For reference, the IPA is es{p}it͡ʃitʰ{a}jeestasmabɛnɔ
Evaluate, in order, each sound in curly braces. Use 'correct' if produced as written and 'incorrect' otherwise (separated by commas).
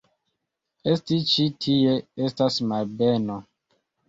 incorrect, incorrect